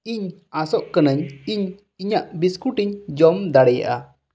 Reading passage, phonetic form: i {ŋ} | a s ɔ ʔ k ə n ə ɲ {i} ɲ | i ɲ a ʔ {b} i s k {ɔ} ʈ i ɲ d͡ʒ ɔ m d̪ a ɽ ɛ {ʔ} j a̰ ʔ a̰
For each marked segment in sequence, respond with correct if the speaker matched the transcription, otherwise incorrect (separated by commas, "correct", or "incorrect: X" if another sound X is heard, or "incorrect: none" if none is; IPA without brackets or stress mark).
incorrect: ɲ, correct, correct, incorrect: u, incorrect: none